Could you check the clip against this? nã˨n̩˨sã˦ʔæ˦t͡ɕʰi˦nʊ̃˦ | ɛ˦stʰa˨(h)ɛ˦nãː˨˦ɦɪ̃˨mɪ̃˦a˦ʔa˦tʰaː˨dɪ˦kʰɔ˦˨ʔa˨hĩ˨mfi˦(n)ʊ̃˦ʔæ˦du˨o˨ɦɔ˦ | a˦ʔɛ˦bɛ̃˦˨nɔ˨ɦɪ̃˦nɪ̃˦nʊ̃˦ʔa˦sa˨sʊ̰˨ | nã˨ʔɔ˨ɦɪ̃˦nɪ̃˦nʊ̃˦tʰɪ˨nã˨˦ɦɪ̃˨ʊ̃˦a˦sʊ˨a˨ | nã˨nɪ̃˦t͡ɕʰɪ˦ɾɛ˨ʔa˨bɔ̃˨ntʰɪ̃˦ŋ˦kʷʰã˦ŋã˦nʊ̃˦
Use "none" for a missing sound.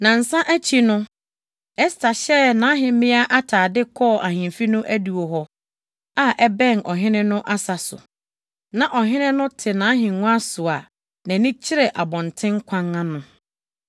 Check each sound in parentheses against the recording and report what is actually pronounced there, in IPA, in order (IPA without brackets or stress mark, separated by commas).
ɕ, n